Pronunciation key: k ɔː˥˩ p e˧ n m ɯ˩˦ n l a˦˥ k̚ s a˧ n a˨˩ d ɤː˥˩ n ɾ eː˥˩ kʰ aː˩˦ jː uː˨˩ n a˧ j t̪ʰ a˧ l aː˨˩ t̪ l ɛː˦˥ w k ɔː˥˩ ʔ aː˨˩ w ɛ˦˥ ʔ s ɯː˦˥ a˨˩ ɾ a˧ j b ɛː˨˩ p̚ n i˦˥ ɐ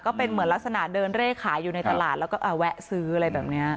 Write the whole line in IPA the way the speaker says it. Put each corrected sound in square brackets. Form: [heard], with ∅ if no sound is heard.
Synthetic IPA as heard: k ɔː˥˩ p e˧ n m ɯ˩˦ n l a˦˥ k̚ s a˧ n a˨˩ d [ɤː˧] n ɾ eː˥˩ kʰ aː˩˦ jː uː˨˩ n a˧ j [t̪] a˧ l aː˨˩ t̪ l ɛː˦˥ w k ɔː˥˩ ʔ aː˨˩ w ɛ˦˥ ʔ s ɯː˦˥ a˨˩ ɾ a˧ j b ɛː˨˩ p̚ n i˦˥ ɐ